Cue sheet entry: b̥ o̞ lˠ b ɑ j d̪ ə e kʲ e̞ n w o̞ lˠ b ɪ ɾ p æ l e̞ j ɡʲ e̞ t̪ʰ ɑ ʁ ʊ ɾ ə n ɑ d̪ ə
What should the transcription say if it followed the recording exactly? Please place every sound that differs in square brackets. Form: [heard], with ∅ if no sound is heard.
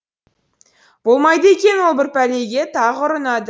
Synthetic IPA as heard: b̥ o̞ lˠ [m] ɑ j d̪ ə e kʲ e̞ n w o̞ lˠ b ɪ ɾ p æ l e̞ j ɡʲ e̞ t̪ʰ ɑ ʁ ʊ ɾ ə n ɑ d̪ ə